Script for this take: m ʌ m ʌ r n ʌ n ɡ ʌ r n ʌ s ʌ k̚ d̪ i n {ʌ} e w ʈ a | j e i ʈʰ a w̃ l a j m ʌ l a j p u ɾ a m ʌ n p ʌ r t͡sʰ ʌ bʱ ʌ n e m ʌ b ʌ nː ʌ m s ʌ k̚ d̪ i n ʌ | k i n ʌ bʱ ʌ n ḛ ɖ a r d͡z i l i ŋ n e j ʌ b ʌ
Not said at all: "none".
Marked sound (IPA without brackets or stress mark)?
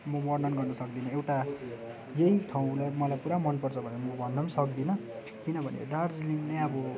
ʌ